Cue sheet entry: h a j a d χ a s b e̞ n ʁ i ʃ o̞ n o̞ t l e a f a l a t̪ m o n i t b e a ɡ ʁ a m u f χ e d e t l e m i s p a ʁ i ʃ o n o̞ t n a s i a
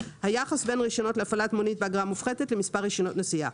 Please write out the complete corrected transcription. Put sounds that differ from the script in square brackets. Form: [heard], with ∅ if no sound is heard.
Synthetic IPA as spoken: h a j a [∅] χ a s b e̞ n ʁ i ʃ o̞ n o̞ t l e a f a l a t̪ m o n i t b e a ɡ ʁ a m u f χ e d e t l e m i s p a ʁ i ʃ o n o̞ t n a s i a